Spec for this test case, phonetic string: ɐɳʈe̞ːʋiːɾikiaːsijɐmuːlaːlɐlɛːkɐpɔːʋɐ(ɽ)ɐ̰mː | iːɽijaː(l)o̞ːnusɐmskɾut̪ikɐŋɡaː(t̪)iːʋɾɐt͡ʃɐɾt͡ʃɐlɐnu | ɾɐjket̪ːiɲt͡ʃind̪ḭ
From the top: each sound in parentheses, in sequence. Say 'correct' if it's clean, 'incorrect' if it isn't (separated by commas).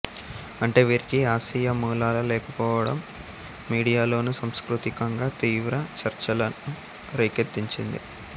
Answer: correct, correct, correct